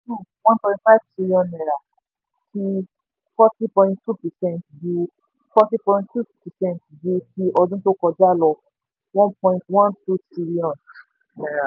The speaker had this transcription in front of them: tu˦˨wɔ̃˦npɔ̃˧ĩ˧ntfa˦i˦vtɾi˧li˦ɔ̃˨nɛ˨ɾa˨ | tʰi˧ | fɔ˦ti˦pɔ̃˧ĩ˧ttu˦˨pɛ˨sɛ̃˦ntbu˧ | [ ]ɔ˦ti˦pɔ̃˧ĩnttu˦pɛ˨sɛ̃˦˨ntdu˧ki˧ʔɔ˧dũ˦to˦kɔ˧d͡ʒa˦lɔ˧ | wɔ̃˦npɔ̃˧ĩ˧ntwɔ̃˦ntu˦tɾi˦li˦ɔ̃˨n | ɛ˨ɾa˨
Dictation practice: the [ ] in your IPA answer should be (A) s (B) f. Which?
B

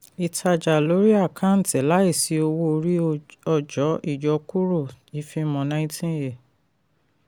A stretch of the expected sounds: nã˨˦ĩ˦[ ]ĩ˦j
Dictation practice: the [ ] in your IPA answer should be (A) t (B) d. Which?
A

